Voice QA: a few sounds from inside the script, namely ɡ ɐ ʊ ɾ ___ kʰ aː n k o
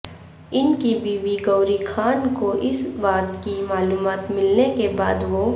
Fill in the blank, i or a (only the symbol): i